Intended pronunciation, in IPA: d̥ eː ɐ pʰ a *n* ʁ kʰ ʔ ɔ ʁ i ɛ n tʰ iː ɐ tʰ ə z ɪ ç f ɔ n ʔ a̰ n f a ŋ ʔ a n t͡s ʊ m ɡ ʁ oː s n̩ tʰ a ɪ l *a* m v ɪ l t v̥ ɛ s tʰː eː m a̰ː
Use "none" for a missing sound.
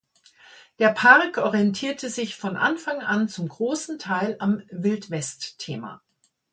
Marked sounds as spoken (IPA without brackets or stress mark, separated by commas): none, a